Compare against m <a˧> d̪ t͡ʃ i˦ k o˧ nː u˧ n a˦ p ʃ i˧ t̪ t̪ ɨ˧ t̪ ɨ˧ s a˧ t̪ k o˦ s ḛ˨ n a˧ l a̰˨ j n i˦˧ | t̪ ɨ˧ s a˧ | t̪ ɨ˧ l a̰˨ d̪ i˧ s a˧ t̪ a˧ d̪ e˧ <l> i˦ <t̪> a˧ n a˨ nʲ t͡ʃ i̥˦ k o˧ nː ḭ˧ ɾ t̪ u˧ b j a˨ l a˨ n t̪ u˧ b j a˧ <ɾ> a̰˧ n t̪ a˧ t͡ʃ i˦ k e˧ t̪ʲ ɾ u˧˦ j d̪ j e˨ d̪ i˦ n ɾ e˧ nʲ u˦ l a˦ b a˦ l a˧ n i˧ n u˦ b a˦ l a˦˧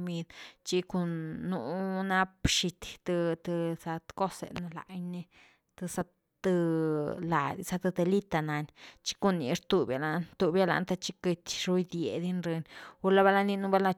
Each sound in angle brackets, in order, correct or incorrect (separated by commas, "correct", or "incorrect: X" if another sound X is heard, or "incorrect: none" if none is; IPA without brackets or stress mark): incorrect: i˧, correct, correct, incorrect: l